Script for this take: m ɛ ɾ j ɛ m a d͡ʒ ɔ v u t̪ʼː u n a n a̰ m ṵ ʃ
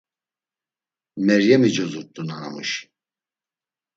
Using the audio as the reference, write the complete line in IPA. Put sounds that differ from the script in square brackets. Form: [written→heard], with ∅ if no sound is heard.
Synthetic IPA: m ɛ ɾ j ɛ m [a→i] d͡ʒ ɔ [v→z] u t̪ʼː u n a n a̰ m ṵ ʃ